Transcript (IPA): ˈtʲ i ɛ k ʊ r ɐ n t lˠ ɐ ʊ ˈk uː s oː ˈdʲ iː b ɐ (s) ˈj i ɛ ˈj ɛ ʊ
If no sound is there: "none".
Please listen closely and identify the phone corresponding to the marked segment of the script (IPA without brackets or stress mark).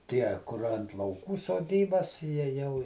s